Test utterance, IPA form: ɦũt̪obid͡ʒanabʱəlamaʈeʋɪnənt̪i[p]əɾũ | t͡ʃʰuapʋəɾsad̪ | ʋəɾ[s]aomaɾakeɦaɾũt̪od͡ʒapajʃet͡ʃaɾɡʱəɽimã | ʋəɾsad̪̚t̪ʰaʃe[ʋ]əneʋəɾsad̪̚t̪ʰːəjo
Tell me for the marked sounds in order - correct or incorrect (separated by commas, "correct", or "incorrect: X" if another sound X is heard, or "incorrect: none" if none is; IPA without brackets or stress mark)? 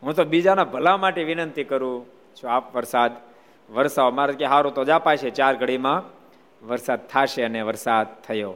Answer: incorrect: k, correct, incorrect: none